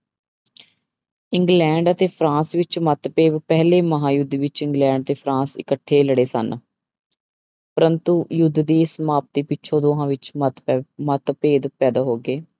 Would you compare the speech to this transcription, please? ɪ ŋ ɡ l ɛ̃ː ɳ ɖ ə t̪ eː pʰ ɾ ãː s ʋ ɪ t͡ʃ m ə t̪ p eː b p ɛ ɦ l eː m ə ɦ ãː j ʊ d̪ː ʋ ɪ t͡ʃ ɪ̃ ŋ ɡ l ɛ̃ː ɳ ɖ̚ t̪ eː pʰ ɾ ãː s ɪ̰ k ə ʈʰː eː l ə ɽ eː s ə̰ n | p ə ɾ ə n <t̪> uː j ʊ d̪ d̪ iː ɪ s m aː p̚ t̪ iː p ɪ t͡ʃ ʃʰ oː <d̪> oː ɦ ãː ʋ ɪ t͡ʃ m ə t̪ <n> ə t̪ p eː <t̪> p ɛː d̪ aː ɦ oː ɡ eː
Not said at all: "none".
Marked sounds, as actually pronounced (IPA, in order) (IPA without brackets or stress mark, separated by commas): t̪, d̪, m, d̪